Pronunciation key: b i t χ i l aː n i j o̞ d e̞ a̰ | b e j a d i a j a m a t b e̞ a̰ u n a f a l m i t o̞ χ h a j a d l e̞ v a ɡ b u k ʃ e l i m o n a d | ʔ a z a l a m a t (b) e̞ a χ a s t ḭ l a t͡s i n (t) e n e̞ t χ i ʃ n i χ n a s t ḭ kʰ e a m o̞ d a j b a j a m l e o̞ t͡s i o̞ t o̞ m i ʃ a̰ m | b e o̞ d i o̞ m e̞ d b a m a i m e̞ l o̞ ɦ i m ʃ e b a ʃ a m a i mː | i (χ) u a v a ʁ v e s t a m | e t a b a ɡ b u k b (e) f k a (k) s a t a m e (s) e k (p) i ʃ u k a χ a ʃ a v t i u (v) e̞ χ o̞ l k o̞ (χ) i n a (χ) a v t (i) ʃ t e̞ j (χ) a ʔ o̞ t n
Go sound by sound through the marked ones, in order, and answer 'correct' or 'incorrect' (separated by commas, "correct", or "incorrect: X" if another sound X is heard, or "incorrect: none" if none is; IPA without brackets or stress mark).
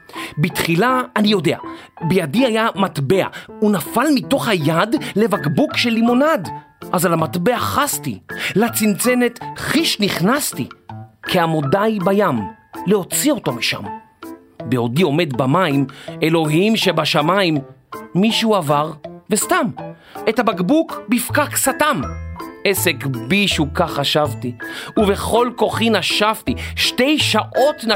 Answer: correct, incorrect: t͡s, incorrect: ʃ, incorrect: i, correct, correct, incorrect: b, correct, correct, incorrect: ʃ, correct, incorrect: ʃ